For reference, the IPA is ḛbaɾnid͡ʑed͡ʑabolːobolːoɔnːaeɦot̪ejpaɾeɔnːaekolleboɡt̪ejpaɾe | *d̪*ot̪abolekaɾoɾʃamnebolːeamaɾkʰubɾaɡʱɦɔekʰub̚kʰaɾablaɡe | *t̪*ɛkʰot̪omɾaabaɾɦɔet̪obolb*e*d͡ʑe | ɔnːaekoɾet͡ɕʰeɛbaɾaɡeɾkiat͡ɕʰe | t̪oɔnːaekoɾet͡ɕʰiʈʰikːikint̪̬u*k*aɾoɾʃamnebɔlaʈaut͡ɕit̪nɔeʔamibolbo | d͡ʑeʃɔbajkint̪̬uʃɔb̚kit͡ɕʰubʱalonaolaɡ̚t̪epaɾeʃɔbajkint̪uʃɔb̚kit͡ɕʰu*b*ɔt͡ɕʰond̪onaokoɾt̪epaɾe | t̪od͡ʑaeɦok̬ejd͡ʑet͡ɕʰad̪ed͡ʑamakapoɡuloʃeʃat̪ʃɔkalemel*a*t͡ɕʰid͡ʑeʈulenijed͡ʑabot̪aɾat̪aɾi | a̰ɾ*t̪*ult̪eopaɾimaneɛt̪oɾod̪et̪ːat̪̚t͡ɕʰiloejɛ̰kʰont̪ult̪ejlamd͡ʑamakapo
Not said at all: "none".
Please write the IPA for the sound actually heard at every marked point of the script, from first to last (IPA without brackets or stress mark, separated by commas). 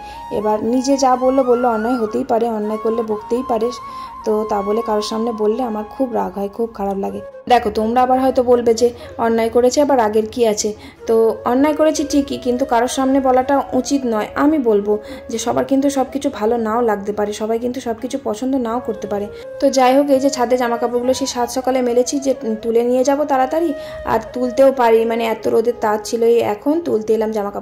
t̪, d̪, e, k, p, e, t̪